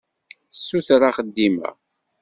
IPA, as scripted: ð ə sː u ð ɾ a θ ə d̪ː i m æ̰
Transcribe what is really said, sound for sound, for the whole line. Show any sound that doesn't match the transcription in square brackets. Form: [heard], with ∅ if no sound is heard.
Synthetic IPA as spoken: [θ] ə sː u [θ] ɾ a [χ] ə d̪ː i m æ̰